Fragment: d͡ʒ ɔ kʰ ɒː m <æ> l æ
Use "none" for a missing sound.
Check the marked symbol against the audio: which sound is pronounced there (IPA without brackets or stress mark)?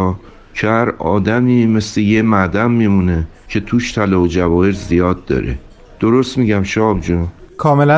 e